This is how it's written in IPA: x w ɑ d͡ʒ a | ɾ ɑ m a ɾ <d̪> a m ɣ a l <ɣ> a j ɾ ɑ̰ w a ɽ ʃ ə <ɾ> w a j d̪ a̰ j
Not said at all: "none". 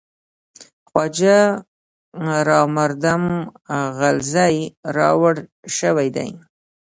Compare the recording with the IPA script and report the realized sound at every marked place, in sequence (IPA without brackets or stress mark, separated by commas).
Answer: d̪, z, none